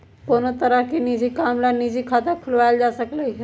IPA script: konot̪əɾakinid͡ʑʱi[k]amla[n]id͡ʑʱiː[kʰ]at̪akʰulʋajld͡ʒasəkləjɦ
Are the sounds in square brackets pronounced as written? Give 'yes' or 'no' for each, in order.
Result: yes, yes, yes

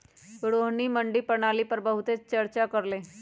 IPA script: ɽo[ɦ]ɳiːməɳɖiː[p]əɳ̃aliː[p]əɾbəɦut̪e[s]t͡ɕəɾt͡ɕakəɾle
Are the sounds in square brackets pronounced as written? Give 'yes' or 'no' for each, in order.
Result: yes, yes, yes, no

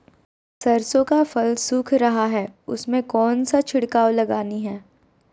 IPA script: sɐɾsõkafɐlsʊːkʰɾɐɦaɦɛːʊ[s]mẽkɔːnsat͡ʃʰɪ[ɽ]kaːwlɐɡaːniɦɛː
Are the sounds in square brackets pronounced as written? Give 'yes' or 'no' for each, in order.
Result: yes, yes

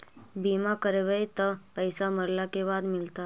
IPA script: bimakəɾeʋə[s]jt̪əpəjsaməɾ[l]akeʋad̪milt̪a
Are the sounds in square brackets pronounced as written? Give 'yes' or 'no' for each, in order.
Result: no, yes

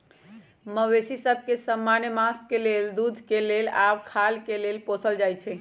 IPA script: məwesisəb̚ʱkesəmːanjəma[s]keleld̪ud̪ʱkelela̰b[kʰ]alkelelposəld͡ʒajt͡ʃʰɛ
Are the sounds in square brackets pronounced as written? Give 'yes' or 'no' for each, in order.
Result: yes, yes

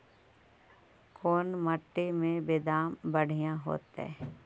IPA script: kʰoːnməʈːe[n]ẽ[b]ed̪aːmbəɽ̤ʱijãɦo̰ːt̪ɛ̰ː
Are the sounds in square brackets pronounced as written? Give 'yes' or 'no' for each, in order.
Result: no, yes

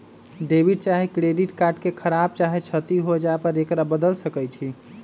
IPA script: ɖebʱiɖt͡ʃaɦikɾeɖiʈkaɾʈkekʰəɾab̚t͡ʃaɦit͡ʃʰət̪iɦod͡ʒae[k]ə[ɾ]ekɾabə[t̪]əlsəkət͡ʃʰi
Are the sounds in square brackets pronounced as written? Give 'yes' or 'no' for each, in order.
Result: no, yes, no

